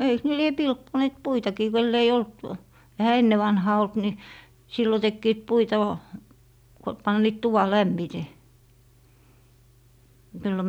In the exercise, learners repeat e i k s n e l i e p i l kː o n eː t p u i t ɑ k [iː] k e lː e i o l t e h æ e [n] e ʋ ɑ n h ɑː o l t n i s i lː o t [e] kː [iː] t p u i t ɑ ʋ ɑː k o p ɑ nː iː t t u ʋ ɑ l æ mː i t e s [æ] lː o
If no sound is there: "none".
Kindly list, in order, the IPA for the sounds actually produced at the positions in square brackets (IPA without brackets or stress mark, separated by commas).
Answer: iː, nː, e, iː, i